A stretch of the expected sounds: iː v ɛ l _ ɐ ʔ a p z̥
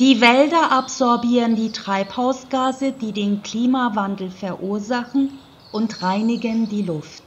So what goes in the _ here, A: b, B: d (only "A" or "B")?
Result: B